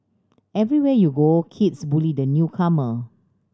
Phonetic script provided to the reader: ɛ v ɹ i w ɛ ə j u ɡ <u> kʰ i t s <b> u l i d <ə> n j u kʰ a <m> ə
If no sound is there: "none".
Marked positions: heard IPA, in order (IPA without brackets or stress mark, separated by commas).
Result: o, b, ə, m